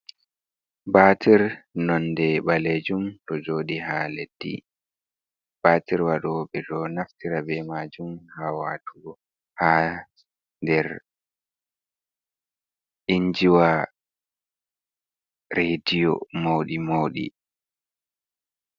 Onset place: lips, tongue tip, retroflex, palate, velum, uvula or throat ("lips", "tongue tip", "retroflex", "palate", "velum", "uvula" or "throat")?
lips